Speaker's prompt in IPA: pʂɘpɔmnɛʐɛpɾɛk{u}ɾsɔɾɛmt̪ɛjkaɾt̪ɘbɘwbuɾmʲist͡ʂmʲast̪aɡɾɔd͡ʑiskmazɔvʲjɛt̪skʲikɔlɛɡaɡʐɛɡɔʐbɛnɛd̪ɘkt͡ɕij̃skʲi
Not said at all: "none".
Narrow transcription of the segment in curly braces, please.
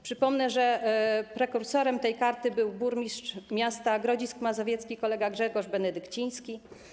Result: u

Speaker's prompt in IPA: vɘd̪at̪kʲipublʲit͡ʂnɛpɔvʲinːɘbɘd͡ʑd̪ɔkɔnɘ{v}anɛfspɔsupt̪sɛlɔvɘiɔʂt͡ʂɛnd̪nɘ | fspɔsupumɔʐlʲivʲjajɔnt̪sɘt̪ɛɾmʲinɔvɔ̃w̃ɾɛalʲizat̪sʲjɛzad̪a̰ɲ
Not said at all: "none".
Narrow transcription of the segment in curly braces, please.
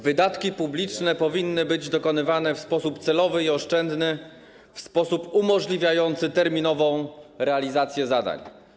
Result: v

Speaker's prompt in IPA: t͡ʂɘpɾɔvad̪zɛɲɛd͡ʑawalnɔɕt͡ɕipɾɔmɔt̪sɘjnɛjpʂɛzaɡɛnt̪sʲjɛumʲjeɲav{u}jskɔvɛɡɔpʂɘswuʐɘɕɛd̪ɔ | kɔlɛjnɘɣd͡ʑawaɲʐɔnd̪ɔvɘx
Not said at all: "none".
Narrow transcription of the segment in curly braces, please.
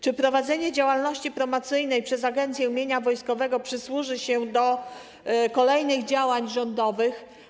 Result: ɔ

